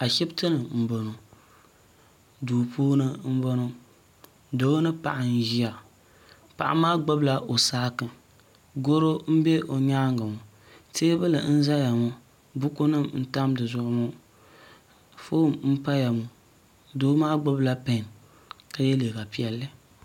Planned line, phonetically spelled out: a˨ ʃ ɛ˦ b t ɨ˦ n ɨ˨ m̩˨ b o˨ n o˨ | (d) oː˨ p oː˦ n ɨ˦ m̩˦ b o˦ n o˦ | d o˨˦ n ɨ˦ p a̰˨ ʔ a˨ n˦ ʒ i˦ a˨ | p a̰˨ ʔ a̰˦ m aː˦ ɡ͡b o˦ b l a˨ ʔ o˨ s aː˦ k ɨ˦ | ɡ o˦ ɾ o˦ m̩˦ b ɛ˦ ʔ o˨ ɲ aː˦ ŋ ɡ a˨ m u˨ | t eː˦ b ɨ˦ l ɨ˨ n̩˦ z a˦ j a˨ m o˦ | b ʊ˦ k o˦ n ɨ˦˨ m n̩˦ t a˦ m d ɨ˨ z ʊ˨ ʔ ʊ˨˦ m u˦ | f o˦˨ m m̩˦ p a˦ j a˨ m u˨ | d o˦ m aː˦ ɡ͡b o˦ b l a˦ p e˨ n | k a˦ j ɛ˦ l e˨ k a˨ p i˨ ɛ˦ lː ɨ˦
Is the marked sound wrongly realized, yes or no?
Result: no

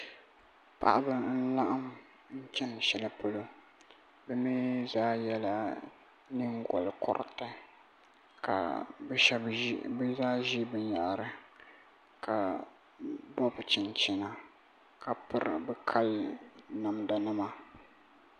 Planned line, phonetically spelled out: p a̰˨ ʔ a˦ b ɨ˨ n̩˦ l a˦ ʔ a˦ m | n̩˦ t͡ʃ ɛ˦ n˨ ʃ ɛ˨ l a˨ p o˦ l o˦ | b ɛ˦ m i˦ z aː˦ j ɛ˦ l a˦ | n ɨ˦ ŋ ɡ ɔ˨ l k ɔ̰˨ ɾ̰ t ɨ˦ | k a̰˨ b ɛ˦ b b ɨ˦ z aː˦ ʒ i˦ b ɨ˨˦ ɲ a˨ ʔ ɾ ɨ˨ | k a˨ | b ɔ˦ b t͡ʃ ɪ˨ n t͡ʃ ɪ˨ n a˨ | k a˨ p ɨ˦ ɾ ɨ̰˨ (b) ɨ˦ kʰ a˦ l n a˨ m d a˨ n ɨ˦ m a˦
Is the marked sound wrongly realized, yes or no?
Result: no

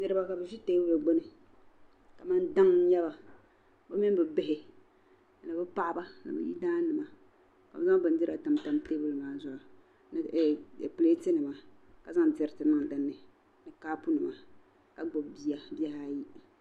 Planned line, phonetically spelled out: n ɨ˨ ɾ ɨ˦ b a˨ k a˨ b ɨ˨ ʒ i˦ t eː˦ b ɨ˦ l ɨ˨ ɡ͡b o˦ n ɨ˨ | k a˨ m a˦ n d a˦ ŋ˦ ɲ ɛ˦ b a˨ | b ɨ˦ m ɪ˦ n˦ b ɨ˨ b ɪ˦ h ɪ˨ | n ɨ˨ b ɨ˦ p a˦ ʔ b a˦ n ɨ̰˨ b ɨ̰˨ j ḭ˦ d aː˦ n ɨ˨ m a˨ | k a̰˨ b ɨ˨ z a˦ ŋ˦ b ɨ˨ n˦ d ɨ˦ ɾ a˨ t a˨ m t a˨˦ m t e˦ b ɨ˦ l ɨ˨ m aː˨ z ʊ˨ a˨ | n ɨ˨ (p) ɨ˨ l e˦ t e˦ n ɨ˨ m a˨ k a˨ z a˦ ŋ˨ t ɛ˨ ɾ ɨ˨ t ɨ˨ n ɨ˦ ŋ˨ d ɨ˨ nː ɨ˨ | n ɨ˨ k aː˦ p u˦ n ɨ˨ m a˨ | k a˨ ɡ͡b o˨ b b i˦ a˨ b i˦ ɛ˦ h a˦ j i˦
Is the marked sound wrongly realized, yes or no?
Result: no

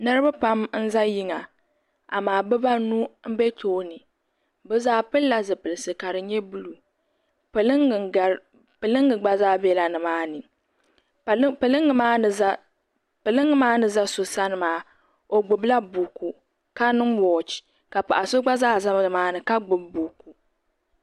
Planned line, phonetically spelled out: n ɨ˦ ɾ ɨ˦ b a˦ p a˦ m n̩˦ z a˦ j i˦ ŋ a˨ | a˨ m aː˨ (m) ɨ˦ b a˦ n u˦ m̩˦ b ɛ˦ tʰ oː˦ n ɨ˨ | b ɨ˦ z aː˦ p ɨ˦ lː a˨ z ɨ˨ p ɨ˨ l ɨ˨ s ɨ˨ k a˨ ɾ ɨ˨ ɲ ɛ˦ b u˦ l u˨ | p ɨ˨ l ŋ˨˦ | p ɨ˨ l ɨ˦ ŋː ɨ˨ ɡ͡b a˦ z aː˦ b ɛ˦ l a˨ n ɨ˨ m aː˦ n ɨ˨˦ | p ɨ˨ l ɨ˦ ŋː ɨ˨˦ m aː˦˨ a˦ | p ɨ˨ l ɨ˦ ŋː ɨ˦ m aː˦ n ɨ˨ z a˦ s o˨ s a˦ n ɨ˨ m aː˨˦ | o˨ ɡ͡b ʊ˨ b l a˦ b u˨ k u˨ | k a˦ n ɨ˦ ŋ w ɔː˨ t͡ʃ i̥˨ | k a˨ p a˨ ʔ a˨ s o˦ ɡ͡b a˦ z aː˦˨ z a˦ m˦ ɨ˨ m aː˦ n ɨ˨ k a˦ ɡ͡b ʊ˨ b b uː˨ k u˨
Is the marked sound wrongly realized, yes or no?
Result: yes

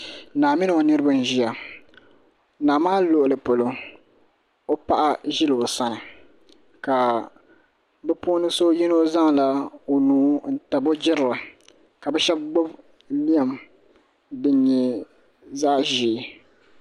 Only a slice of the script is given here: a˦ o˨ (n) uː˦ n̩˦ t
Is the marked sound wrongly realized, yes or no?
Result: no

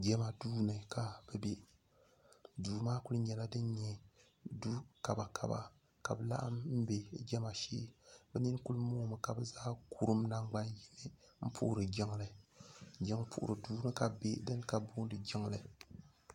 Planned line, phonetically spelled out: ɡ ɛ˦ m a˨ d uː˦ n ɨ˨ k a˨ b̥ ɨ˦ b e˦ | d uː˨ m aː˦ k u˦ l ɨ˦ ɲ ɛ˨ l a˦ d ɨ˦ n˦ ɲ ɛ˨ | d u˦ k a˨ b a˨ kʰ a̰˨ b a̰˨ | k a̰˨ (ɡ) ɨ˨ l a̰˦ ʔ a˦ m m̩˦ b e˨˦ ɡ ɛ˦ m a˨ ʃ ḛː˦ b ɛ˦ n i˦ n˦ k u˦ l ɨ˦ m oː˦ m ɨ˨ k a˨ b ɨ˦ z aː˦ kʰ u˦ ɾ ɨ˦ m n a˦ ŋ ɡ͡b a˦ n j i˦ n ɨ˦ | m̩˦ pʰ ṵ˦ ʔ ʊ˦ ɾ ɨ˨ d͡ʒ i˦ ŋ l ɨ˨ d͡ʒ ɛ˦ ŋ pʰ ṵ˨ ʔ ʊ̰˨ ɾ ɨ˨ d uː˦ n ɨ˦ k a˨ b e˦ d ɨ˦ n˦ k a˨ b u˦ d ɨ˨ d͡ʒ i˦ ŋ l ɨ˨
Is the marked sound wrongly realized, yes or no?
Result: yes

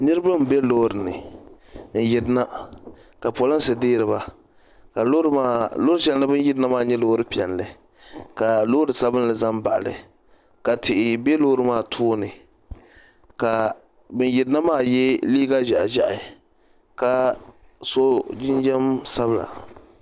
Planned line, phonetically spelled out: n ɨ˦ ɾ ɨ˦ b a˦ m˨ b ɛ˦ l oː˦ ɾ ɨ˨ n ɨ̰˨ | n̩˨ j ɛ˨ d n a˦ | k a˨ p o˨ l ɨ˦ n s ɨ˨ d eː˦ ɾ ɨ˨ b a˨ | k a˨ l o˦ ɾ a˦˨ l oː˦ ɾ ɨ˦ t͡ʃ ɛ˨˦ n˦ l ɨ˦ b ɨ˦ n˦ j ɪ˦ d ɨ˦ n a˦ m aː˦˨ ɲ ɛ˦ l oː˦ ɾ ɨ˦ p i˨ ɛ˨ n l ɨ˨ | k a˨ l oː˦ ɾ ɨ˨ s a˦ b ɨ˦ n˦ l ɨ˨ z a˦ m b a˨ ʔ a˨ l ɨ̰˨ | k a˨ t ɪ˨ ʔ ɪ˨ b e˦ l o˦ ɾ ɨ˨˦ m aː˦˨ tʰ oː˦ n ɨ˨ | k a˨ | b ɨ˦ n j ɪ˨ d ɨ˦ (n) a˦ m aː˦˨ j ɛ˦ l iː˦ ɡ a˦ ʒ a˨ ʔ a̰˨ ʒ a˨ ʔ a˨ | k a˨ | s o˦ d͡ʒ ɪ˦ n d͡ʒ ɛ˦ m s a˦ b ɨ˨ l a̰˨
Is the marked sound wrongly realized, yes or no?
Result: no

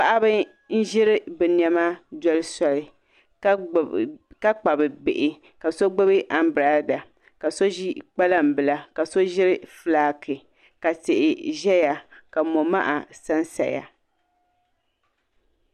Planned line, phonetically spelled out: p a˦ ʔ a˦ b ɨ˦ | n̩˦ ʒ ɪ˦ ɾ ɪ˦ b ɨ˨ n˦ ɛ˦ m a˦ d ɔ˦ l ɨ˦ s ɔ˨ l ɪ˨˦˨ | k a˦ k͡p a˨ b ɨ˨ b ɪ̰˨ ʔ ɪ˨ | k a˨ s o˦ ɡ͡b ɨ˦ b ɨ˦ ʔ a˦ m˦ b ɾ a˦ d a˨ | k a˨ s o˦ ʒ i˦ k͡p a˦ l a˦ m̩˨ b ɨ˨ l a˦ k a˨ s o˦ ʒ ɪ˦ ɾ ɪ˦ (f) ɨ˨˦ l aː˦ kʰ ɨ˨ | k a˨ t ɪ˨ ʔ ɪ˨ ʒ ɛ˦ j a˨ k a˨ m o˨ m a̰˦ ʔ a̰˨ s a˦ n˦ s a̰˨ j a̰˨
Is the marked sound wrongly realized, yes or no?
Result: no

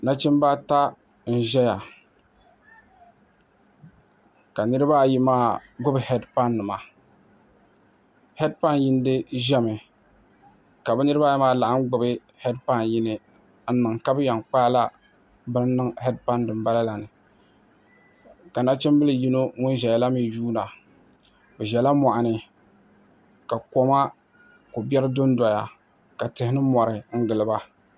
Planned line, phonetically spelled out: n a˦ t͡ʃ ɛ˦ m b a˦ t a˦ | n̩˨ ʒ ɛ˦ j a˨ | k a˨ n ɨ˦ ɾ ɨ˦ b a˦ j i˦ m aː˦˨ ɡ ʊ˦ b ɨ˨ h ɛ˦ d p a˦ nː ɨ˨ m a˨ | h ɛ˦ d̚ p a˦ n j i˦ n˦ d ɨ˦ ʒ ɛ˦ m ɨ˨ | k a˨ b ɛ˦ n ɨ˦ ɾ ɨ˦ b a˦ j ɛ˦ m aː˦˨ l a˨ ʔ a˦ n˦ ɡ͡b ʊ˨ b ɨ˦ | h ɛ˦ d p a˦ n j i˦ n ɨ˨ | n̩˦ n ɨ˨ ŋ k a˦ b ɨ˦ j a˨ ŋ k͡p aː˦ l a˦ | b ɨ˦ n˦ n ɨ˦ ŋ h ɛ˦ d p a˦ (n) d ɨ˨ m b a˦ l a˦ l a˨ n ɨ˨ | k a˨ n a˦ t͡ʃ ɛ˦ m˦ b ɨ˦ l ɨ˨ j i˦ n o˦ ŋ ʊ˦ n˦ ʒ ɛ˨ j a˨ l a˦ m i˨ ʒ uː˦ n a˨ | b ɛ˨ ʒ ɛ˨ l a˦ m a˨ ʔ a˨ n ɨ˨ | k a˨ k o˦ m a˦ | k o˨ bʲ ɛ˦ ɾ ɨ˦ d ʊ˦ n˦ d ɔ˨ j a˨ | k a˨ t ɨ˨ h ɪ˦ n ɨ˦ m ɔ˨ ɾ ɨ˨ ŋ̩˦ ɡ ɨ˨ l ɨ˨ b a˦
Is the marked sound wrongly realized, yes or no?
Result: no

